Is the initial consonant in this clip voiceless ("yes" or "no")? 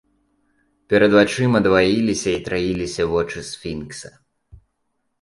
yes